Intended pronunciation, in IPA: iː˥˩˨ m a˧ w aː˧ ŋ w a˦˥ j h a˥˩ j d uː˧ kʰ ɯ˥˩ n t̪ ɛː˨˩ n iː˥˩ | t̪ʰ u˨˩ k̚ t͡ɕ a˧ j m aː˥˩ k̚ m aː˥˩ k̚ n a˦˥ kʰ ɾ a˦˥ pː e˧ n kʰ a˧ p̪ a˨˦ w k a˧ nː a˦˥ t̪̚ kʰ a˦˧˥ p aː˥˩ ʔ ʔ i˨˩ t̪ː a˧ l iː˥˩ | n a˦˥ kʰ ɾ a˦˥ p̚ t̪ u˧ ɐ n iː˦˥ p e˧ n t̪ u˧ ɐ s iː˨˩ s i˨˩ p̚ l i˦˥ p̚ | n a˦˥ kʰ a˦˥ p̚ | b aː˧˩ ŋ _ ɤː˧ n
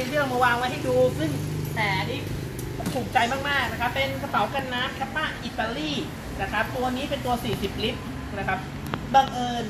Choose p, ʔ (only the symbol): ʔ